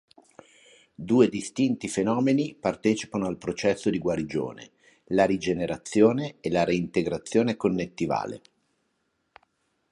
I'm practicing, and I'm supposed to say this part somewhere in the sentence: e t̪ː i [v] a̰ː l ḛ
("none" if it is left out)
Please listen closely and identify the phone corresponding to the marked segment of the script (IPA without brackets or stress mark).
v